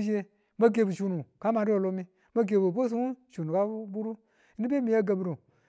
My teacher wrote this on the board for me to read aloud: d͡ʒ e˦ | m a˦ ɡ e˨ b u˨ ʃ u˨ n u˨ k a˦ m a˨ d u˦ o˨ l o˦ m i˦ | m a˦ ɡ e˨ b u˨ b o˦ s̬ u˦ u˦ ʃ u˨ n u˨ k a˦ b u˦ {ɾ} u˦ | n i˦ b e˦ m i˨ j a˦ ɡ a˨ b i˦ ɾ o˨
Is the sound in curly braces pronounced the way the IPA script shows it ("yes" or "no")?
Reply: yes